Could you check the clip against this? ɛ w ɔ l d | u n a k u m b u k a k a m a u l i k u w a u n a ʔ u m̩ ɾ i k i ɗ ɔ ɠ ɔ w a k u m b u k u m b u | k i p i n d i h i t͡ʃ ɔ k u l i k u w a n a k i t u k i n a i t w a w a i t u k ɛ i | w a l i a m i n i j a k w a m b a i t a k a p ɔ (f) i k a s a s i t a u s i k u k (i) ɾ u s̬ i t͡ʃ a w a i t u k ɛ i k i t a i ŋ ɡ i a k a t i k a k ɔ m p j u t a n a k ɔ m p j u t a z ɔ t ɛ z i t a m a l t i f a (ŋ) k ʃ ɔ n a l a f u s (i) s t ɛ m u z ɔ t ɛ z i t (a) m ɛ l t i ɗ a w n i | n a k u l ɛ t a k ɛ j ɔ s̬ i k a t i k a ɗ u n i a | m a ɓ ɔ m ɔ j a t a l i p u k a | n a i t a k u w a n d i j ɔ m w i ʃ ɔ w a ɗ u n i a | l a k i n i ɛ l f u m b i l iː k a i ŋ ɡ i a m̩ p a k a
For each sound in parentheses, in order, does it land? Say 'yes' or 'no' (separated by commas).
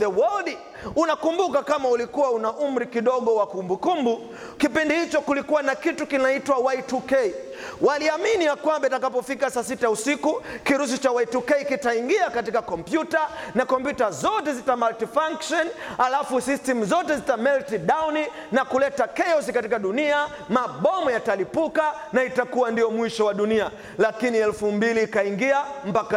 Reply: yes, yes, yes, yes, yes